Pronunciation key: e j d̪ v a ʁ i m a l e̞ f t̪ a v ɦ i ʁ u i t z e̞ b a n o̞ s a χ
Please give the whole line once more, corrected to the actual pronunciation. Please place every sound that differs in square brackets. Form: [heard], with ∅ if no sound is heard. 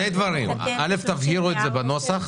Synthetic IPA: e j d̪ v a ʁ i m a l e̞ f t̪ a v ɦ i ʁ u [e] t z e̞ b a n o̞ s a χ